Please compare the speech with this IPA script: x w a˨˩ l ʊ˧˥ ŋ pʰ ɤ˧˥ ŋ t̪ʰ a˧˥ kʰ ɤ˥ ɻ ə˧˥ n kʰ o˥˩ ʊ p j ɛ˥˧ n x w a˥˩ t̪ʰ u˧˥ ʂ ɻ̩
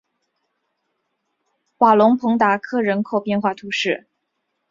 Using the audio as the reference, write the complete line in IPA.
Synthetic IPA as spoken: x w a˨˩ l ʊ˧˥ ŋ pʰ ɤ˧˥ ŋ t̪ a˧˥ kʰ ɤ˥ ɻ ə˧˥ n kʰ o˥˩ ʊ p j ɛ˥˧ n x w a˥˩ t̪ʰ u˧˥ ʂ ɻ̩